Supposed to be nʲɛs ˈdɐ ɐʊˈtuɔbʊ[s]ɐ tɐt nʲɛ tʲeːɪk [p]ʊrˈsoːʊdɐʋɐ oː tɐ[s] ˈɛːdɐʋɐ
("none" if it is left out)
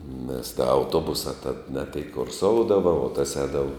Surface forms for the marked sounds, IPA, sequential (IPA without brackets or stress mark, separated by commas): s, k, s